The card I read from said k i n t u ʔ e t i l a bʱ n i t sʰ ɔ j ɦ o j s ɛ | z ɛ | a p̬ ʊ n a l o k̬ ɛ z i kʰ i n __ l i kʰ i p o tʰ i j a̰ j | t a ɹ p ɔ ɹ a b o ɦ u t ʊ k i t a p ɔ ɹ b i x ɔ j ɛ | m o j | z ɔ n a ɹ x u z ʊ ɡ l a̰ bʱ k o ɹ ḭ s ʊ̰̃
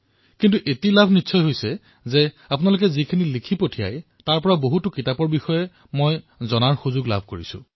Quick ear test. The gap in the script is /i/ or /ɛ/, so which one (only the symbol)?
i